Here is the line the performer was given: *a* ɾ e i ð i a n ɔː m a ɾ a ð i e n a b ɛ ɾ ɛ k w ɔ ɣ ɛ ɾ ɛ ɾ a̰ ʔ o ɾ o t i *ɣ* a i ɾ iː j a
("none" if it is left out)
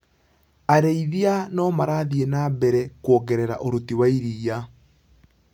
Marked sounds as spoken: a, w

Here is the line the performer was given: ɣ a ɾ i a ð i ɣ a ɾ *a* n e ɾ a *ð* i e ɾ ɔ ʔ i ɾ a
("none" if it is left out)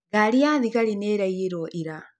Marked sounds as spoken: i, none

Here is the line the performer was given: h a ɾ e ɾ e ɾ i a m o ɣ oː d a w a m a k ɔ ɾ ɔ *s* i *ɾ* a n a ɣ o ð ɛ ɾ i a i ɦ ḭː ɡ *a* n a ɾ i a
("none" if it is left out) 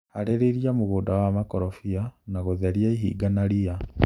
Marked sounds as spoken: f, none, a

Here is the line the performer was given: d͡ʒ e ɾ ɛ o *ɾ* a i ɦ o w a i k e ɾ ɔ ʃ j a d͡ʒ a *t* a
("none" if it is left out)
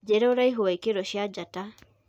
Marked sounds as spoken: ɾ, t

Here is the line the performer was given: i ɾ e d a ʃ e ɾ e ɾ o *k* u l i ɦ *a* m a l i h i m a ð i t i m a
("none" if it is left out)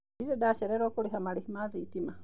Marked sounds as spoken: k, a

